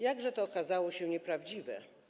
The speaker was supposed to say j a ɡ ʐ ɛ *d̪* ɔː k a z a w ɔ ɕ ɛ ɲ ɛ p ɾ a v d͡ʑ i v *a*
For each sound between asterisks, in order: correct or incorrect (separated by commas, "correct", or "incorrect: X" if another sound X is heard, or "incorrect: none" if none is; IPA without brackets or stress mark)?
incorrect: t̪, incorrect: ɛ